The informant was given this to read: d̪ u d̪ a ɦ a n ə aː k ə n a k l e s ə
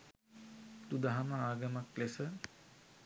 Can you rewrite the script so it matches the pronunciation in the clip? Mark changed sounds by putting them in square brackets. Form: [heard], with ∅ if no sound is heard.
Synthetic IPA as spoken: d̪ u d̪ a ɦ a [m] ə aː [ɡ] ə [m] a k l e s ə